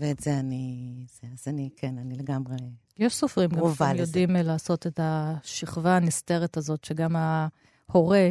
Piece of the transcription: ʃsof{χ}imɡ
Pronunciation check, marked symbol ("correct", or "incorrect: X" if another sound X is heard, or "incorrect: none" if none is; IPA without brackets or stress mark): incorrect: ʁ